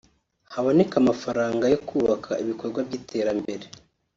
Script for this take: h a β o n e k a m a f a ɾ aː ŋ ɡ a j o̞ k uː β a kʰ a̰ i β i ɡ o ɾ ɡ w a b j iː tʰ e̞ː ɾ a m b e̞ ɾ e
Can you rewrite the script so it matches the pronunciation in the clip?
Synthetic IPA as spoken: h a β o n e k a m a f a ɾ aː ŋ ɡ a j o̞ k uː β a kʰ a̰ i β i k o ɾ ɡ w a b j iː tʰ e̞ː ɾ a m b e̞ ɾ e